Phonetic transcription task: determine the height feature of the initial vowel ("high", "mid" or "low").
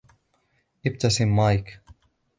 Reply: high